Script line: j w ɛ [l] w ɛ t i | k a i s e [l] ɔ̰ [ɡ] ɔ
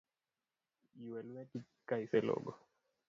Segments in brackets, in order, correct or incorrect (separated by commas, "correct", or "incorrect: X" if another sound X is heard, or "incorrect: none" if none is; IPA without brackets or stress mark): correct, correct, correct